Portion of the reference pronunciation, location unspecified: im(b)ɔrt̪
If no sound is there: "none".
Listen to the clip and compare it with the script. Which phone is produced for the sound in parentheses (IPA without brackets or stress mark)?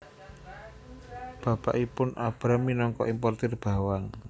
p